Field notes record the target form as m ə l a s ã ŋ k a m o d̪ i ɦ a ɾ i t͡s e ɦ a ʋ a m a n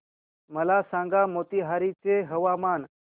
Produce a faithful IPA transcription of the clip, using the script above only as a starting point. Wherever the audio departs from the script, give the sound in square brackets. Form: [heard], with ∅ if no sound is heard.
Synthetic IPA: m ə l a s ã ŋ [ɡ] a m o [t̪] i ɦ a ɾ i t͡s e ɦ [ə] ʋ a m a n